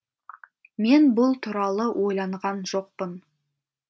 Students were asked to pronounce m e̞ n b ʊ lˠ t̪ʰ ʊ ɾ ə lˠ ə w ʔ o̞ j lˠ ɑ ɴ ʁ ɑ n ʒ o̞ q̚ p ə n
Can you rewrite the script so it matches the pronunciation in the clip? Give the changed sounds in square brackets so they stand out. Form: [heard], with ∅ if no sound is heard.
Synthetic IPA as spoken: m e̞ n b ʊ lˠ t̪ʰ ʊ ɾ [ɑ] lˠ ə w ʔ o̞ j lˠ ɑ ɴ ʁ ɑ n ʒ o̞ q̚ p ə n